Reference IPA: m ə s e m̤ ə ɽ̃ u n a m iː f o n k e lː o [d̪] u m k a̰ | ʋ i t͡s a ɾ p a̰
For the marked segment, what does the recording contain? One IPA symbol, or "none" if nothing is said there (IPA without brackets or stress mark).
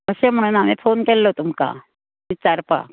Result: t̪